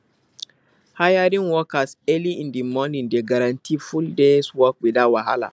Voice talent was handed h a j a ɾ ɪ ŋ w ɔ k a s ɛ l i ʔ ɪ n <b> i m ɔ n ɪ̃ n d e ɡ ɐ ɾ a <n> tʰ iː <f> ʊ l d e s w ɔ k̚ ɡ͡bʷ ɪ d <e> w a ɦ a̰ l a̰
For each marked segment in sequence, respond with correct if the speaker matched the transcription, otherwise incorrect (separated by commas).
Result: incorrect, correct, correct, incorrect